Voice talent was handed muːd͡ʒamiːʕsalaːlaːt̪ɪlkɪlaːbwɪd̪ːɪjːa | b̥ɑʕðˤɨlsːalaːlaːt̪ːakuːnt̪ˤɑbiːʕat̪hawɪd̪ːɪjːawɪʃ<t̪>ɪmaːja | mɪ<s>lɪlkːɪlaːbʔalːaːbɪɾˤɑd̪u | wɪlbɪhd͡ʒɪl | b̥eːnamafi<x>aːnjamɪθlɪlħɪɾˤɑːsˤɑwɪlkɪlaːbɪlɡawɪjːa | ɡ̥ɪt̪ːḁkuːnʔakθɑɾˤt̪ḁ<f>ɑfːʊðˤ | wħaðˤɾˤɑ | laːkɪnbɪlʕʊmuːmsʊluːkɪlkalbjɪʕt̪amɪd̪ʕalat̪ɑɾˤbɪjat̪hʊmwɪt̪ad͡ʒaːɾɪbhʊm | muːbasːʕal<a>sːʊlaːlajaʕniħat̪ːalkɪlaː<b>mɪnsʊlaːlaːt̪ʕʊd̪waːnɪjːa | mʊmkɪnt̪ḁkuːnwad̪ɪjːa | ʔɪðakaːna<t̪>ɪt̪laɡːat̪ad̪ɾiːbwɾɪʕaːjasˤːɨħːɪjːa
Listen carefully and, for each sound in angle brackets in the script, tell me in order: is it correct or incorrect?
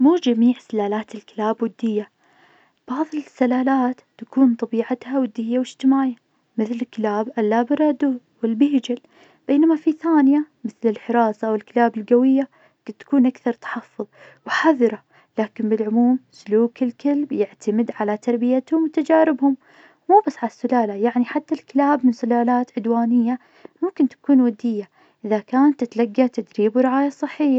correct, incorrect, incorrect, incorrect, correct, correct, correct

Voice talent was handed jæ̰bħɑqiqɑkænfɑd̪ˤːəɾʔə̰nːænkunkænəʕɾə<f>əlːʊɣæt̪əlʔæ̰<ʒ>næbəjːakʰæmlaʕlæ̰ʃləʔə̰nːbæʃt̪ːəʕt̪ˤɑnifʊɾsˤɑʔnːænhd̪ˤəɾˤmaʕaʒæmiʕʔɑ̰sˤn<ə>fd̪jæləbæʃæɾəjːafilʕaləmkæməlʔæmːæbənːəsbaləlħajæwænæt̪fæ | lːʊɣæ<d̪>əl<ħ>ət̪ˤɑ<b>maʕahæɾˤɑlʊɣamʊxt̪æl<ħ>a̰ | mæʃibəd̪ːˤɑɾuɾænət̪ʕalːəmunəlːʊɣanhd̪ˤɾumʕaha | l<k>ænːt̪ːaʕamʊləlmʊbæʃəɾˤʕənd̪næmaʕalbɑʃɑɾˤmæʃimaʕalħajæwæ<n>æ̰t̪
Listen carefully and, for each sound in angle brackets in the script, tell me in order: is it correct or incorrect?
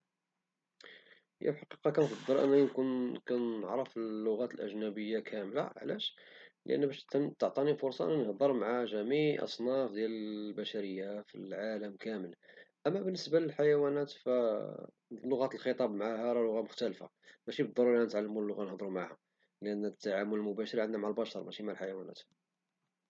correct, correct, incorrect, incorrect, incorrect, correct, incorrect, incorrect, correct

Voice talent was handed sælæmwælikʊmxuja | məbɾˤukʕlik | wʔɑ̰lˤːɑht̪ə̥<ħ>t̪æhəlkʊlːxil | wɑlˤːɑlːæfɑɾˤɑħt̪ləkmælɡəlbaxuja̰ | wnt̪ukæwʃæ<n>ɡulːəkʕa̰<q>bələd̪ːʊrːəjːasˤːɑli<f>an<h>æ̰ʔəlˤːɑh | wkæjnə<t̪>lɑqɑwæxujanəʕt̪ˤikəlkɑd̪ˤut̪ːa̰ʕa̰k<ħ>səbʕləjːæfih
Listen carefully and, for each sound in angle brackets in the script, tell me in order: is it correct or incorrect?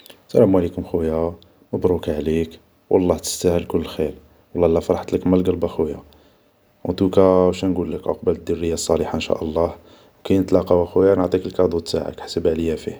incorrect, correct, correct, incorrect, incorrect, correct, correct

